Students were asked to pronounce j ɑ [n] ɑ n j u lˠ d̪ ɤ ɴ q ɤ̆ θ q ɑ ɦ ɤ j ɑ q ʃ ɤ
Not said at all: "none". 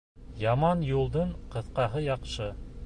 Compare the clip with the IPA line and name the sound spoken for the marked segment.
m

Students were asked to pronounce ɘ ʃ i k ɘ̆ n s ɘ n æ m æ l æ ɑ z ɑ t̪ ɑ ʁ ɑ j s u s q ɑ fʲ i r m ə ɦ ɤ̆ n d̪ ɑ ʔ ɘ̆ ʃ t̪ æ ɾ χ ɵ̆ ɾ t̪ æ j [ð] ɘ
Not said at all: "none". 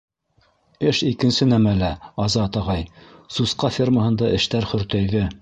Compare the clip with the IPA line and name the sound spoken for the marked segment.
ð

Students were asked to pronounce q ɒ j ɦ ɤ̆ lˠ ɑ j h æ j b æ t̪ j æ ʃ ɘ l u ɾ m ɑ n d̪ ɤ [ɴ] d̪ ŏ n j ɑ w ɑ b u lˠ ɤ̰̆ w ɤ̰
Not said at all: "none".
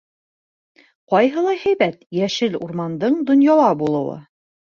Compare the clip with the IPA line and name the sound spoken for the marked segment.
ɴ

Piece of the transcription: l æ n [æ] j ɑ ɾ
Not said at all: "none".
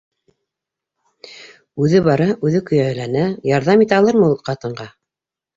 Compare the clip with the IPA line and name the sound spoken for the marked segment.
æ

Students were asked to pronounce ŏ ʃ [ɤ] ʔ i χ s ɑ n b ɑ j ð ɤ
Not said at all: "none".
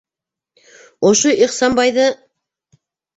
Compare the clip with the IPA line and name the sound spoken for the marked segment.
o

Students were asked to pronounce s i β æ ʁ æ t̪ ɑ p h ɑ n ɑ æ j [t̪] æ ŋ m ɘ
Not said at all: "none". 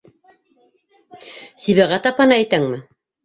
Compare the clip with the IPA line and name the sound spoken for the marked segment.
t̪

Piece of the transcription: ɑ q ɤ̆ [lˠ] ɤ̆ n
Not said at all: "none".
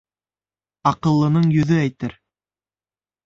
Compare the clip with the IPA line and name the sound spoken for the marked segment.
lˠː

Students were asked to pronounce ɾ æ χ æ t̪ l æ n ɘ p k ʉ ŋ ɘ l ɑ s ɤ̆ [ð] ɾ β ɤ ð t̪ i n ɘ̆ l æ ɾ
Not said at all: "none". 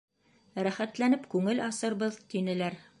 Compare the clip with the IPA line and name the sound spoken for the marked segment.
none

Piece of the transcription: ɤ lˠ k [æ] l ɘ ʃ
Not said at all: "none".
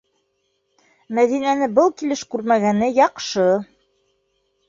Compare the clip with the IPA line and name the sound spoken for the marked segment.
i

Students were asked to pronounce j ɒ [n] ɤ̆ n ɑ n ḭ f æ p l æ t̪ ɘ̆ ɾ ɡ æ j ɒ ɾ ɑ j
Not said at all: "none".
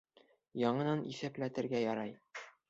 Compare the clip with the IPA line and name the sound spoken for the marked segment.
ɴ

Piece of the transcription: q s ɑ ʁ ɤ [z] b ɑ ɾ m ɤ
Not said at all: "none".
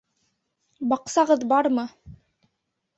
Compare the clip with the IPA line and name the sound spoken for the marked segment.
ð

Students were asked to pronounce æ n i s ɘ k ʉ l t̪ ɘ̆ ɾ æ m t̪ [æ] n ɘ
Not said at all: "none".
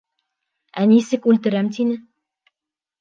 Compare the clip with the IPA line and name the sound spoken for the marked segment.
i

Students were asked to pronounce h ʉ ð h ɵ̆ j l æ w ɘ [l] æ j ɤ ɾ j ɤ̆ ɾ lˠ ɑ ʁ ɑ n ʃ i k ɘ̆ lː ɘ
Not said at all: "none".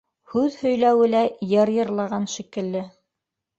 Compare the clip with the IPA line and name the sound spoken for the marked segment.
l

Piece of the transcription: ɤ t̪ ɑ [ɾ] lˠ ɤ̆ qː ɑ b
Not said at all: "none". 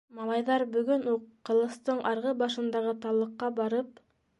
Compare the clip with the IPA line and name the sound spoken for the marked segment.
none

